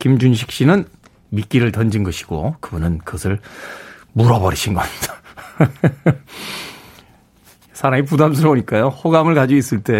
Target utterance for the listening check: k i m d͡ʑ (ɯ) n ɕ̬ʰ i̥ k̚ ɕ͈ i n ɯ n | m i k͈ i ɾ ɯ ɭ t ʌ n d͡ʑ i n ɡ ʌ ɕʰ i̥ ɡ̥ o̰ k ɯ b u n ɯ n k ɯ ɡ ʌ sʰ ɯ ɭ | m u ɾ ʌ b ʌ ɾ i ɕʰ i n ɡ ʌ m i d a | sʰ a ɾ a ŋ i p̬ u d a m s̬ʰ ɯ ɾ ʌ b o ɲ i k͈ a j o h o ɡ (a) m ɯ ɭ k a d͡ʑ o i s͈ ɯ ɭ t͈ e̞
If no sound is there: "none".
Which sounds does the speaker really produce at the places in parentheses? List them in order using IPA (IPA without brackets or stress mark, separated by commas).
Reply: u, a